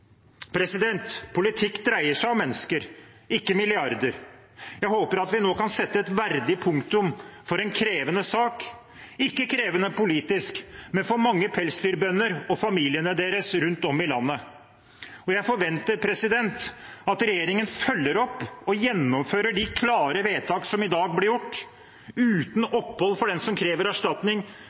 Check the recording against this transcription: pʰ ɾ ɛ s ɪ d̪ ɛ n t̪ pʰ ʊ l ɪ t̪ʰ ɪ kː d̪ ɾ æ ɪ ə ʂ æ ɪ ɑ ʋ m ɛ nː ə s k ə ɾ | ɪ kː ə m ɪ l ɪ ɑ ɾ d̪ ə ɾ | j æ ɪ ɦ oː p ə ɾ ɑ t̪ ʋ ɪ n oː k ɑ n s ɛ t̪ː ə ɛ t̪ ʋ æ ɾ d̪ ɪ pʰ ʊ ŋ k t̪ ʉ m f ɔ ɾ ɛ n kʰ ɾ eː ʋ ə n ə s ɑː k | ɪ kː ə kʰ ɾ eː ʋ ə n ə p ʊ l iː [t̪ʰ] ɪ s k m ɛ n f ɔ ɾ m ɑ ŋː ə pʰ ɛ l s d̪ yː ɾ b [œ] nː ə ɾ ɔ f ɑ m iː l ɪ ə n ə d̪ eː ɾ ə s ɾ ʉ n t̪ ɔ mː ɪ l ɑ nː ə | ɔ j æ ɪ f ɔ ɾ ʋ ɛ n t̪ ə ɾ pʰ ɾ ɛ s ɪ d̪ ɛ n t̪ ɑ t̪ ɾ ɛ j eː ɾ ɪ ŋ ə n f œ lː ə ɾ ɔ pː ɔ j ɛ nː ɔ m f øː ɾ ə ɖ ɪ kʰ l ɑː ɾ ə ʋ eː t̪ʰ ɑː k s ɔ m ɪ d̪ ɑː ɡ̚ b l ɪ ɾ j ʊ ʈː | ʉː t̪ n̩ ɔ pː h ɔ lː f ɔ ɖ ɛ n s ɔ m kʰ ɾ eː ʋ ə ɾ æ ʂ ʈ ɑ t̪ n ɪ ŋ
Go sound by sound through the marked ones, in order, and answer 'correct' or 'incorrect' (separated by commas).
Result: incorrect, correct